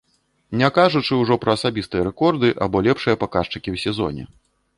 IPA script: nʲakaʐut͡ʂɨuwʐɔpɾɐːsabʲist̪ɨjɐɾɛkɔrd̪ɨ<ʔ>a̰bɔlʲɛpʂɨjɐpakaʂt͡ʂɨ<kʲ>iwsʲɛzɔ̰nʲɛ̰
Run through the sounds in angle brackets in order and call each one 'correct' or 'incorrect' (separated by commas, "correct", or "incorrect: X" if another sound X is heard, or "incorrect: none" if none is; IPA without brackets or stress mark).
correct, correct